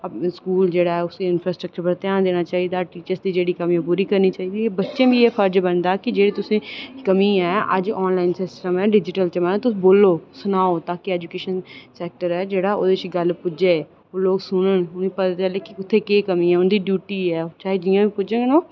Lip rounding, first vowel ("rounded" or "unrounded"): rounded